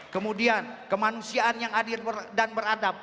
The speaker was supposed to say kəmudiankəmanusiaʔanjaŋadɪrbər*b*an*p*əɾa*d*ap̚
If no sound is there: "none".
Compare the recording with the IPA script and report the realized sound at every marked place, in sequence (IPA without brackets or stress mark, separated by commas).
d, b, d